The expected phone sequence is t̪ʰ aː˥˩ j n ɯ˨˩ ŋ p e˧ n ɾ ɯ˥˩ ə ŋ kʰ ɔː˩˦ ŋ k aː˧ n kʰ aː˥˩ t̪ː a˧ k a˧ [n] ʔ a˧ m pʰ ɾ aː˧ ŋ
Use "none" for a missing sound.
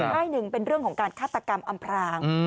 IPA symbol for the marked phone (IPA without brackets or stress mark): m